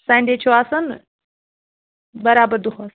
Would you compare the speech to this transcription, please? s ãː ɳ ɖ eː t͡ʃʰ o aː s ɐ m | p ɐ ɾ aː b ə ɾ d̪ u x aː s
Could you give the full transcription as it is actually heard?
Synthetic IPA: s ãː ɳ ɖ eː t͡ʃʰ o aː s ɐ n | b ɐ ɾ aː b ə ɾ d̪ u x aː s